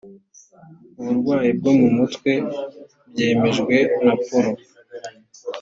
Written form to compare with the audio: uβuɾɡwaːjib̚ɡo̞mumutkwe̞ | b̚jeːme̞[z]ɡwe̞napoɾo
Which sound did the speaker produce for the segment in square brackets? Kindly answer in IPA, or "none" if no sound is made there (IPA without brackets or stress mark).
ʒ